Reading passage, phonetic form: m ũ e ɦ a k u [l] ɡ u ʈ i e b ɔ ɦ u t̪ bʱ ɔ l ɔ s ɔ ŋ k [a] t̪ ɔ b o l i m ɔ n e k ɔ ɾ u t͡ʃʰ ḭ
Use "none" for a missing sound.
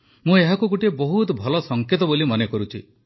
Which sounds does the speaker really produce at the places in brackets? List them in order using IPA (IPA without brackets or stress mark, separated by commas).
none, e